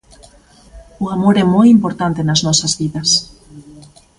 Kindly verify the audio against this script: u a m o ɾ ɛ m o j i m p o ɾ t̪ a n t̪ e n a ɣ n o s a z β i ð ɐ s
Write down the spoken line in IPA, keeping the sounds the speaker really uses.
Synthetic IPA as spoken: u a m o ɾ ɛ m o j i m p o ɾ t̪ a n t̪ e n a z n ɔ s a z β i ð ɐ s